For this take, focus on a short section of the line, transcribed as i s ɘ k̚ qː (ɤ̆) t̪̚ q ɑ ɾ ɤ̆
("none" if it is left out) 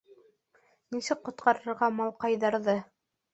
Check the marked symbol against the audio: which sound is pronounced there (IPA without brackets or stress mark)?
ŏ